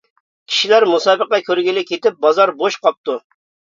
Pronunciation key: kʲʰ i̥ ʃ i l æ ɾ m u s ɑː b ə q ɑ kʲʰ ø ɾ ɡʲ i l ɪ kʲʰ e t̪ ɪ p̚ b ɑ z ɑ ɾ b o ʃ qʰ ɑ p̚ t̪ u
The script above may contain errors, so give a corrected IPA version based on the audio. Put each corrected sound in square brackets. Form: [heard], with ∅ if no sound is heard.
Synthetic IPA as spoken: kʲʰ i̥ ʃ i l æ ɾ m u s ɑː b ə q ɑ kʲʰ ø ɾ ɡʲ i l ɪ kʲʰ e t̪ ɪ p̚ b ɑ z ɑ ɾ b o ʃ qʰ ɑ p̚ t̪ u